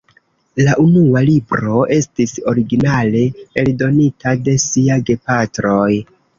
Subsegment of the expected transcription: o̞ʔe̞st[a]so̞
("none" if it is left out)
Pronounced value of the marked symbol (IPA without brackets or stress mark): i